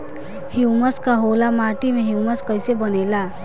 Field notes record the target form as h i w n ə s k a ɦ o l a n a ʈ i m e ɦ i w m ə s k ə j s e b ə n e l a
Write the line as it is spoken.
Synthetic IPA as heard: h i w m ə s k a ɦ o l a m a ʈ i m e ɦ i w m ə s k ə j s e b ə n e l a